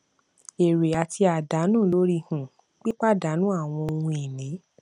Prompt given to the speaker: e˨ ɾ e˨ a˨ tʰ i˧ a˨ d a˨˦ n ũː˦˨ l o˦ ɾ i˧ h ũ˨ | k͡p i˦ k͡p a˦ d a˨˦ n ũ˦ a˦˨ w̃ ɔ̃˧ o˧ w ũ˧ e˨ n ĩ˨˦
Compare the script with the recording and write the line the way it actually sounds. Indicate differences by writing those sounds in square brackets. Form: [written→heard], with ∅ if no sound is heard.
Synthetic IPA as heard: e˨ ɾ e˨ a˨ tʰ i˧ a˨ d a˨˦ n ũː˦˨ l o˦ ɾ i˧ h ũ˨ | k͡p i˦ k͡p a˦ d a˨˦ n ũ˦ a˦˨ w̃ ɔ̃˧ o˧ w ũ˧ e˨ n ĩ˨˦